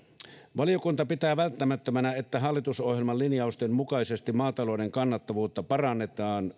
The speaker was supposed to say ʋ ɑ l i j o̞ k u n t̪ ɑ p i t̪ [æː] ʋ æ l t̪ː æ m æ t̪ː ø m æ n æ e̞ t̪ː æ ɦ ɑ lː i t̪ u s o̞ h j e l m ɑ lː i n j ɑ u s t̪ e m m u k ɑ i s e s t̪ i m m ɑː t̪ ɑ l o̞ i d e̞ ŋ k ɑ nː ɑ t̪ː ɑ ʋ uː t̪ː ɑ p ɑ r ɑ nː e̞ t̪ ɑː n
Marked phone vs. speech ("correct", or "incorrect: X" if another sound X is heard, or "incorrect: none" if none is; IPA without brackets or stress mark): correct